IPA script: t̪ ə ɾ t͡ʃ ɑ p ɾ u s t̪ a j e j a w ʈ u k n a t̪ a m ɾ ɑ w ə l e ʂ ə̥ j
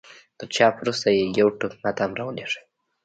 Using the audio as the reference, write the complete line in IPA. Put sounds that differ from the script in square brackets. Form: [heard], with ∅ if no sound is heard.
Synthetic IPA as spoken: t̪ ə ɾ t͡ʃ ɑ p ɾ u s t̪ a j e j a w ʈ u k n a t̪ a m ɾ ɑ w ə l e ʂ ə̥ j